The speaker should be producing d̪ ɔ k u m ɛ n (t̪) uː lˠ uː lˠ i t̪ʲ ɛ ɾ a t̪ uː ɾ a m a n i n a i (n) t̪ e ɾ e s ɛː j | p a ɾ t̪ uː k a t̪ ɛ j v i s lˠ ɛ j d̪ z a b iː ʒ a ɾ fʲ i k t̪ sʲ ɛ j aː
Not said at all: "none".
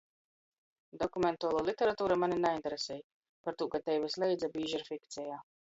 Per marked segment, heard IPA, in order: t̪, n

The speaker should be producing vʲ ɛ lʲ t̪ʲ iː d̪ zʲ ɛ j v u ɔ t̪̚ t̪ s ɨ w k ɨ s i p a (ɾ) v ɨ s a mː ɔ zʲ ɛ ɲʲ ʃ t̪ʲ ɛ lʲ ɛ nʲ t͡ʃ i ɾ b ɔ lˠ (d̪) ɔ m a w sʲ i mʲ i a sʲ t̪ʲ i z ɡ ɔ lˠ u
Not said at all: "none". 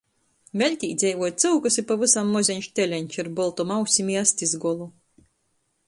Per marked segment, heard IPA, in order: none, t̪

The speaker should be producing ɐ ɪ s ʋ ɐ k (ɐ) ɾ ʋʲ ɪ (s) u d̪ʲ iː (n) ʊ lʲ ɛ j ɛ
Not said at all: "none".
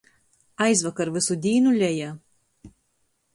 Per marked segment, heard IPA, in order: ɐ, s, n

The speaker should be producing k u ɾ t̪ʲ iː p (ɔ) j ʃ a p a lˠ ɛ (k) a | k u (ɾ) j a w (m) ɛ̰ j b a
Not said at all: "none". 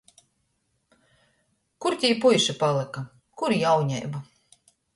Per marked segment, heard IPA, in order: u, k, ɾ, ɲ

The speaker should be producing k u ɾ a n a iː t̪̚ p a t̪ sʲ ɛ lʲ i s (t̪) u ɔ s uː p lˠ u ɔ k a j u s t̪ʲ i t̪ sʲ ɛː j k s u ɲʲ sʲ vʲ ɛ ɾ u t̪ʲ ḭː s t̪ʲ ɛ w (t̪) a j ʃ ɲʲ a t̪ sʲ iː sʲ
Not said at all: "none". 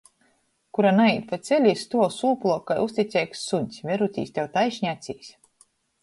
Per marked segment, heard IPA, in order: t̪, t̪

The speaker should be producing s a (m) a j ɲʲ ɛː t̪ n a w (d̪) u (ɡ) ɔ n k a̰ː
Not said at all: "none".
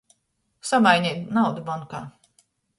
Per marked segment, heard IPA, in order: m, d̪, b

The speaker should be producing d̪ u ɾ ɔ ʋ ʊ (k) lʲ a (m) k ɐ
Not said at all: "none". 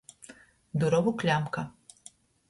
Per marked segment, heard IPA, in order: k, m

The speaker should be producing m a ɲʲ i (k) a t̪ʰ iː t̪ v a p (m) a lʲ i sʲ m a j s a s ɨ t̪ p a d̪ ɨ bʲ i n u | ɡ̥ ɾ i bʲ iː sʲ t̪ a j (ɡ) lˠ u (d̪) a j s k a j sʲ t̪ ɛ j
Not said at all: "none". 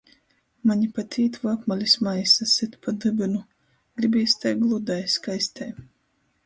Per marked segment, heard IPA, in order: p, m, ɡ, d̪

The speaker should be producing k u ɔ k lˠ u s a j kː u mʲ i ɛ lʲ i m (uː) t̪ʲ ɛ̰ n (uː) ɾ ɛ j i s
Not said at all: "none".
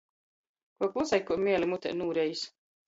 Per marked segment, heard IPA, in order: u, uː

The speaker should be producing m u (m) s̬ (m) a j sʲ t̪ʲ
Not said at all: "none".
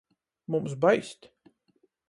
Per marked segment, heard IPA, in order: m, b

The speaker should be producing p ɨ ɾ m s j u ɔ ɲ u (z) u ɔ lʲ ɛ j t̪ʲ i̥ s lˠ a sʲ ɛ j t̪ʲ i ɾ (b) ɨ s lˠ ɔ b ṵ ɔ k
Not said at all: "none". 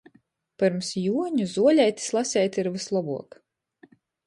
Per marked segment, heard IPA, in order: z, v

